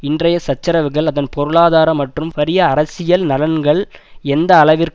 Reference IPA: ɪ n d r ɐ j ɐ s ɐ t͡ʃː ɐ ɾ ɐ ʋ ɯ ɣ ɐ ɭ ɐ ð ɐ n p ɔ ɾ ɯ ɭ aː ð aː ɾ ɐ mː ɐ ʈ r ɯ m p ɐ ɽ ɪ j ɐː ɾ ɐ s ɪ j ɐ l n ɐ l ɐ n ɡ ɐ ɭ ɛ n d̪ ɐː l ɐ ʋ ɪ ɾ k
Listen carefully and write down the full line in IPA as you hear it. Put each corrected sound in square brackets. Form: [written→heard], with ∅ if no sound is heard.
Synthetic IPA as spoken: ɪ n d r ɐ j ɐ s ɐ t͡ʃː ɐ ɾ ɐ ʋ ɯ ɣ ɐ ɭ ɐ ð ɐ n p ɔ ɾ ɯ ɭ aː ð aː ɾ ɐ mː ɐ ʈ r ɯ m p ɐ [ɽ→ɾ] ɪ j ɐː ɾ ɐ s ɪ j ɐ l n ɐ l ɐ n ɡ ɐ ɭ ɛ n d̪ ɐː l ɐ ʋ ɪ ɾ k

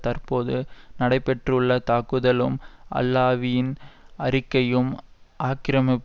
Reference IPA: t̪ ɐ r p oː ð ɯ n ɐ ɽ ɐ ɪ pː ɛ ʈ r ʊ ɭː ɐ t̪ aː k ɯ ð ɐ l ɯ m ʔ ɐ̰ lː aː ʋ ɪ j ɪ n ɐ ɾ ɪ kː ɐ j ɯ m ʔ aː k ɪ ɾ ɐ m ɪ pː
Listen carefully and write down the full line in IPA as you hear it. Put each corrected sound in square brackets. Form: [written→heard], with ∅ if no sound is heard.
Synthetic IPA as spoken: t̪ ɐ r p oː ð ɯ n ɐ ɽ ɐ ɪ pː ɛ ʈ r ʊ ɭː ɐ t̪ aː k ɯ ð ɐ l ɯ m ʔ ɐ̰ lː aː ʋ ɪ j ɪ n ɐ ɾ ɪ kː ɐ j ɯ m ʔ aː k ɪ ɾ ɐ m ɪ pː

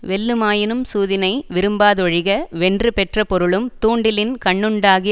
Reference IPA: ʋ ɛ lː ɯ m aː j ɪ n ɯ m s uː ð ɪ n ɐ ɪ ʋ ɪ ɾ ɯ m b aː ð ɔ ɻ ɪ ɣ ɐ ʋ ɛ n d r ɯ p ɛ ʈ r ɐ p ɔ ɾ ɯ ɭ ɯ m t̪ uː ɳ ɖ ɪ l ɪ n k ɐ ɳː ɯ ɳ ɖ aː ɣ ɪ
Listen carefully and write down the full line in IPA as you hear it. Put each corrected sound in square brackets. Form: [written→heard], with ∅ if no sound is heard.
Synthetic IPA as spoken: ʋ ɛ lː ɯ m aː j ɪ n ɯ m s uː ð ɪ n ɐ ɪ ʋ ɪ ɾ ɯ m b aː ð ɔ ɻ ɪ ɣ ɐ ʋ ɛ n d r ɯ p ɛ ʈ r ɐ p ɔ ɾ ɯ ɭ ɯ m t̪ uː ɳ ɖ ɪ l ɪ n k ɐ ɳː ɯ ɳ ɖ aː ɣ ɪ

